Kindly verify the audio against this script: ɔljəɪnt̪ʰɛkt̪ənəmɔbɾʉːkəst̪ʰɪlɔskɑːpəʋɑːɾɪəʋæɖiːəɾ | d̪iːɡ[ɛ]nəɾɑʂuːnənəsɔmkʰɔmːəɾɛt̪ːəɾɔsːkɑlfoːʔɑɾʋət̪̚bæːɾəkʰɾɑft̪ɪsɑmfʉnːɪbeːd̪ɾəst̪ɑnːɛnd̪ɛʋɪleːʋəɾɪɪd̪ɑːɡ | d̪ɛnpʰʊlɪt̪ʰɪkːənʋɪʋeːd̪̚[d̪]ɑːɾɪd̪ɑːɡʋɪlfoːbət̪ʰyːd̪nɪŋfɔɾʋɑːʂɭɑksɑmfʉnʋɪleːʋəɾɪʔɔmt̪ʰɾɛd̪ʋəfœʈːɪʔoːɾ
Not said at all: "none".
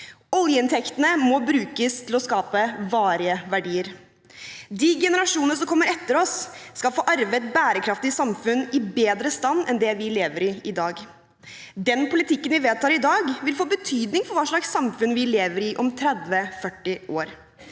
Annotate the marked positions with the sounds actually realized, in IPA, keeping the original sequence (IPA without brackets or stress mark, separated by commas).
ɛ, t̪